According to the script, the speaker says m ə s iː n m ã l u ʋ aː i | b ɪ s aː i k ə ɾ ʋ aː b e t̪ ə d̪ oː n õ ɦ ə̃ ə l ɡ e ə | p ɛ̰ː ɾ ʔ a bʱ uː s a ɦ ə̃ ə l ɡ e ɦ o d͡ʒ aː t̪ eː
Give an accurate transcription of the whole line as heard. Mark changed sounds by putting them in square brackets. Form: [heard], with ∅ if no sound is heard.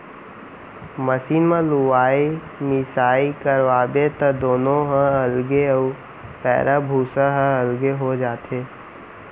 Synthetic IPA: m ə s iː n m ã l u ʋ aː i | [m] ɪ s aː i k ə ɾ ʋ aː b e t̪ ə d̪ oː n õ ɦ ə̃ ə l ɡ e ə | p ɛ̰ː ɾ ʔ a bʱ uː s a ɦ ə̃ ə l ɡ e ɦ o d͡ʒ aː t̪ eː